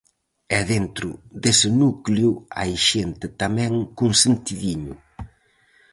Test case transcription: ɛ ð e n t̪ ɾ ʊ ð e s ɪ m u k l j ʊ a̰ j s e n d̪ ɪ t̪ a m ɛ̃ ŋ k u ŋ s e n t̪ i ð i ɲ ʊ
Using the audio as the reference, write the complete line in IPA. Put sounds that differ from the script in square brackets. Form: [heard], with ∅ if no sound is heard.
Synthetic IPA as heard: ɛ ð e n t̪ ɾ ʊ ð e s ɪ [n] u k l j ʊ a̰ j [ʃ] e n [t̪] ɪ t̪ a m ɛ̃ ŋ k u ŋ s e n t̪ i ð i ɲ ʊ